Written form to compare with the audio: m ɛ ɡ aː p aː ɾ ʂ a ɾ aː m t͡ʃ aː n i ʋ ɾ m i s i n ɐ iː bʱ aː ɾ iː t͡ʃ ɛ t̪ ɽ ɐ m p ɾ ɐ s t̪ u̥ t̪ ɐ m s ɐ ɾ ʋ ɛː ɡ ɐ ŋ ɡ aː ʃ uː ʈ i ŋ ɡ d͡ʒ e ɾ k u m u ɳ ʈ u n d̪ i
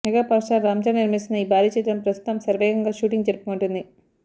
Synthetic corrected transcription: m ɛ ɡ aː p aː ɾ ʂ a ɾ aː m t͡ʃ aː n i ɾ m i s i n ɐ iː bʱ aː ɾ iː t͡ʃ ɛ t̪ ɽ ɐ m p ɾ ɐ s t̪ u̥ t̪ ɐ m s ɐ ɾ ʋ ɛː ɡ ɐ ŋ ɡ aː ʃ uː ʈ i ŋ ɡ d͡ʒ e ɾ p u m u ɳ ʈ u n d̪ i